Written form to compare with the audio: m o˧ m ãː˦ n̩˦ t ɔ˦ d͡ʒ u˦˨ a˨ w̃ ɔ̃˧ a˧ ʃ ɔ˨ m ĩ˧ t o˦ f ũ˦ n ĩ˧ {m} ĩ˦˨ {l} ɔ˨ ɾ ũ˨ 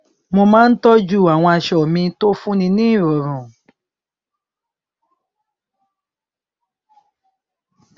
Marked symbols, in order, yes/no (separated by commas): no, no